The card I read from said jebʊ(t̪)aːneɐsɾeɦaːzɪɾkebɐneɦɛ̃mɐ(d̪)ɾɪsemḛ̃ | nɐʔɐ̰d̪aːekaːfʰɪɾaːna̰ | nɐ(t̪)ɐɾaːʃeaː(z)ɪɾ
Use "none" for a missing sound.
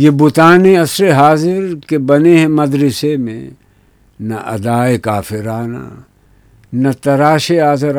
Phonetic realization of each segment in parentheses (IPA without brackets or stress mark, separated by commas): t̪, d̪, t̪, z